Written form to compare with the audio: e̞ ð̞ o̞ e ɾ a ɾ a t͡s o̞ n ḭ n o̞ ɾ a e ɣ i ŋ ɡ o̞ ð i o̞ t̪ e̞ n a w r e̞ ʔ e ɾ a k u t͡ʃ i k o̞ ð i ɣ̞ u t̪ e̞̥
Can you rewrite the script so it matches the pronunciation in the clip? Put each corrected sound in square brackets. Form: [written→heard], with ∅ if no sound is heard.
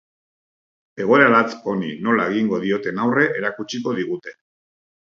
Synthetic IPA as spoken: e̞ [ð̞→ɣ̞] o̞ e ɾ a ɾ a t͡s o̞ n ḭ n o̞ [ɾ→l] a e ɣ i ŋ ɡ o̞ ð i o̞ t̪ e̞ n a w r e̞ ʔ e ɾ a k u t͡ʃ i k o̞ ð i ɣ̞ u t̪ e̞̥